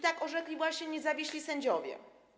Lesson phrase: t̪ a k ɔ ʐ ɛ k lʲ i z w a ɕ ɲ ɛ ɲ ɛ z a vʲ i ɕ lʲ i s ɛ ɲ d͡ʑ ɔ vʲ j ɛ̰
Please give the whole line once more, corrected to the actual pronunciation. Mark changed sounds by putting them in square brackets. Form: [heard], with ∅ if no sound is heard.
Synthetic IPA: t̪ a k ɔ ʐ ɛ k lʲ i [v] w a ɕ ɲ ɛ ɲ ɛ z a vʲ i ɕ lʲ i s ɛ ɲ d͡ʑ ɔ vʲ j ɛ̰